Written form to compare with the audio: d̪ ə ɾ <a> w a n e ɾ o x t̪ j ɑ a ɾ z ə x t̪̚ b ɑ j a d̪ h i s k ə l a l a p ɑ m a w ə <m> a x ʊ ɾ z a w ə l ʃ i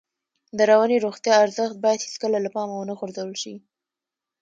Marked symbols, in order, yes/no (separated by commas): yes, no